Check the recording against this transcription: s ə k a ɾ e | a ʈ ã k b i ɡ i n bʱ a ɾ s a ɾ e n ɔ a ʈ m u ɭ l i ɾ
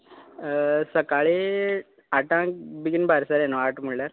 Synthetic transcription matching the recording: s ə k a ɭ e | a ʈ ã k b i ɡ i n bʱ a ɾ s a ɾ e n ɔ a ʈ m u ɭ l a ɾ